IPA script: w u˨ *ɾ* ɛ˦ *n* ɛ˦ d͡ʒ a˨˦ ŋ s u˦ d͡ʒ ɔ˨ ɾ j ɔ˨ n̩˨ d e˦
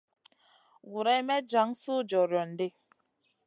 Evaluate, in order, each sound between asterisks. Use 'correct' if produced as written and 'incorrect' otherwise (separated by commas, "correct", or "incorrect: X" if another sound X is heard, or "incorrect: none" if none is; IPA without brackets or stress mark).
correct, incorrect: m